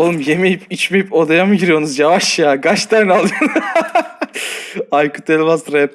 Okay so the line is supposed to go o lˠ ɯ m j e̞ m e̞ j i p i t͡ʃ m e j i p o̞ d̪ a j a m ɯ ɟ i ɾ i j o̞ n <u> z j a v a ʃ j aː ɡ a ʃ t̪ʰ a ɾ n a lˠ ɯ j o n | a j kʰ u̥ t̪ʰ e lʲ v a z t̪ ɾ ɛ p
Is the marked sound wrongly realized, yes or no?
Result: no